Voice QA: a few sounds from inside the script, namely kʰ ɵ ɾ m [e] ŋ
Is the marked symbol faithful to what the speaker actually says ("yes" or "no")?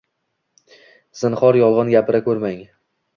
no